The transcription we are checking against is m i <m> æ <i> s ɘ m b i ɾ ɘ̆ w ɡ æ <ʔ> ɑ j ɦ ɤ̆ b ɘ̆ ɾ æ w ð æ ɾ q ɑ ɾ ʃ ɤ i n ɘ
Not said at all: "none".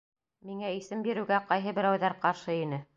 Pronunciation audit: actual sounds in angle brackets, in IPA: ŋ, i, q

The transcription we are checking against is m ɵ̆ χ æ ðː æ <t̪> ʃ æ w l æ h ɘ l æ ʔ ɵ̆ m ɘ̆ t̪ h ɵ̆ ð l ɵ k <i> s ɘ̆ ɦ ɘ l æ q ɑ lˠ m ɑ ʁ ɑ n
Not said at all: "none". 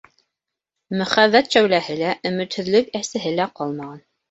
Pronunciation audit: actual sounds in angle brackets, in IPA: t̪, æ

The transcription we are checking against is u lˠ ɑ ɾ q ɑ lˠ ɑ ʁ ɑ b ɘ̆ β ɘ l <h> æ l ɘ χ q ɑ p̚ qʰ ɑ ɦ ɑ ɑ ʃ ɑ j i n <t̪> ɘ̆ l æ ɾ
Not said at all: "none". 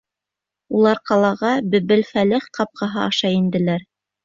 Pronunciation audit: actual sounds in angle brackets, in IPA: f, d̪

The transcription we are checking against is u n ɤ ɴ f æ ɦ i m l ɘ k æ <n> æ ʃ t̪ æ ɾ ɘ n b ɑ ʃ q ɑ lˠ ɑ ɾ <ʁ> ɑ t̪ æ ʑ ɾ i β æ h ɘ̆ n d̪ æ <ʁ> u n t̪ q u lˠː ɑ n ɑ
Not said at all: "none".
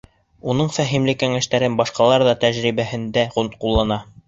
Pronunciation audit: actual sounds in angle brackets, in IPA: ŋ, ð, ʁ

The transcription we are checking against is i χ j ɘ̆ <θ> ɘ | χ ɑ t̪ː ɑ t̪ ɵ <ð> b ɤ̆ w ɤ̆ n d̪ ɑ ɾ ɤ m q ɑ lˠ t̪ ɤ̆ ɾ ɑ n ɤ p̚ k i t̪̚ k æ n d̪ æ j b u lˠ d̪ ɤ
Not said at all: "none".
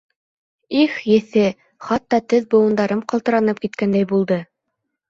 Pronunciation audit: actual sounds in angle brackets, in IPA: θ, ð

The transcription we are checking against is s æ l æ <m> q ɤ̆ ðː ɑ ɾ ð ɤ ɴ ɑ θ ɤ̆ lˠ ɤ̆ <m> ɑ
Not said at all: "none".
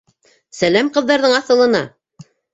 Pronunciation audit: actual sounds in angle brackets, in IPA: m, n

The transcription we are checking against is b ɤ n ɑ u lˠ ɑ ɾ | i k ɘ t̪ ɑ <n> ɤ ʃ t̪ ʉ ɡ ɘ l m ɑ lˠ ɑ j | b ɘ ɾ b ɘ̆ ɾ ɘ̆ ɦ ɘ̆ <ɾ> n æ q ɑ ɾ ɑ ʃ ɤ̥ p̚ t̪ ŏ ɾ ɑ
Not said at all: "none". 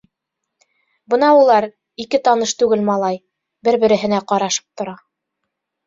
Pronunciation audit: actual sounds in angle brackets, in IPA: n, none

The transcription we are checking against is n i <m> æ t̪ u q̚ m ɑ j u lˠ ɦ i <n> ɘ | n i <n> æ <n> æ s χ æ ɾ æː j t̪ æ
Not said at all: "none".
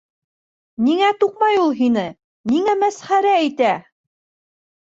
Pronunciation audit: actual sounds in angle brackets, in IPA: ŋ, n, ŋ, m

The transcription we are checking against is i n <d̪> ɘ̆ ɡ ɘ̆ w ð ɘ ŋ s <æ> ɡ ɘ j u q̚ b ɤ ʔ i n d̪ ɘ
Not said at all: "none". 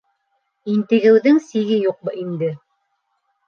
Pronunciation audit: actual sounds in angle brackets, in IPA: t̪, i

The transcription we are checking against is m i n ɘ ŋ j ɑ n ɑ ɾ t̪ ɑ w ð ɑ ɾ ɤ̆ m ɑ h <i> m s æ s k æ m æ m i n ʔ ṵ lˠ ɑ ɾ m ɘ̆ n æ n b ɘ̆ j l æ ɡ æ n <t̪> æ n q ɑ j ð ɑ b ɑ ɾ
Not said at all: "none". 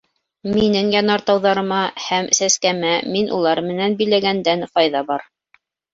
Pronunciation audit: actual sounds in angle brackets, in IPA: æ, d̪

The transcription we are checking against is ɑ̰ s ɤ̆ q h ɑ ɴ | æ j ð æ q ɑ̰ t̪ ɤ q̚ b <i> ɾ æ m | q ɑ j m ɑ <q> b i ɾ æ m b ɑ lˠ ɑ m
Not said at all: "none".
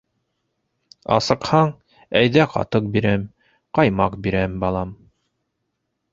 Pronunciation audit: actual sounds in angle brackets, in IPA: i, q

